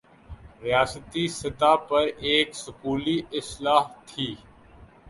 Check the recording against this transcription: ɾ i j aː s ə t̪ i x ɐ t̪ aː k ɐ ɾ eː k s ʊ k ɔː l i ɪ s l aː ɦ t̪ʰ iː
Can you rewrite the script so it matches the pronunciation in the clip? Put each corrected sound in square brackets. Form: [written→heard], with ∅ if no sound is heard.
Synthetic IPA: ɾ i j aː s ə t̪ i [x→s] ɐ t̪ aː [k→p] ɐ ɾ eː k s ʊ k [ɔː→uː] l i ɪ s l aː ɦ t̪ʰ iː